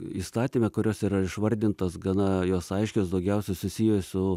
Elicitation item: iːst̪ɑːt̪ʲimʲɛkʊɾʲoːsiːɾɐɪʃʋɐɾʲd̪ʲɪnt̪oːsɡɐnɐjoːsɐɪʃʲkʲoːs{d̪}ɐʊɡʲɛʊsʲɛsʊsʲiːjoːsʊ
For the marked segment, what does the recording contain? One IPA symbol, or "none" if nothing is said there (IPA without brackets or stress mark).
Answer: d̪